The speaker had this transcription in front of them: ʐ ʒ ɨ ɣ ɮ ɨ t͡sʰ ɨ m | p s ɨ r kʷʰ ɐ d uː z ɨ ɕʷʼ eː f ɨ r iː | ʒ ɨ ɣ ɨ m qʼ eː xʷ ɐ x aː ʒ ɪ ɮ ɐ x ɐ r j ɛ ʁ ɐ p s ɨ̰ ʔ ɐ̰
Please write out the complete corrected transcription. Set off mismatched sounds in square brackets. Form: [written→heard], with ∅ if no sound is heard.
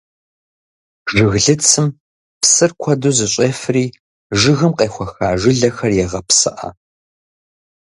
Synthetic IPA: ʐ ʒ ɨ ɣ ɮ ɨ t͡sʰ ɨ m | p s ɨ r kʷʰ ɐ d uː z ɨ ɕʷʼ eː f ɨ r iː | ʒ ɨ ɣ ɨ m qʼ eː xʷ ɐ x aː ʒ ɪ ɮ ɐ x ɐ r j ɛ ʁ ɐ p s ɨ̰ ʔ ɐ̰